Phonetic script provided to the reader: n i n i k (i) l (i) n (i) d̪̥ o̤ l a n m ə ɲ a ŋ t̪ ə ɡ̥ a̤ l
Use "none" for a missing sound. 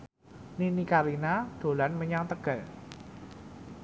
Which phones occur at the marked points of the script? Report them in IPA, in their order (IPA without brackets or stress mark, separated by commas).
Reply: a, i, a